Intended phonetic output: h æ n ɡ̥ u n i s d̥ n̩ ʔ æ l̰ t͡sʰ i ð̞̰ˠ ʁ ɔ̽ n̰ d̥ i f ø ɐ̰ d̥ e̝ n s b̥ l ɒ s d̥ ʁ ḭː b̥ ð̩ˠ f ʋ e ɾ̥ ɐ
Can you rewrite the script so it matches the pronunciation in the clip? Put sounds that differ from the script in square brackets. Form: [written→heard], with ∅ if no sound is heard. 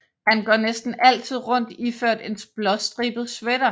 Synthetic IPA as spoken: h æ n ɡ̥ [u→ɒ] n [i→e] s d̥ n̩ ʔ æ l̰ t͡sʰ i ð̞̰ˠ ʁ ɔ̽ n̰ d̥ i f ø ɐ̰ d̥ e̝ n s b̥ l ɒ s d̥ ʁ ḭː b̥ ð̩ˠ [f→s] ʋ e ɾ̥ ɐ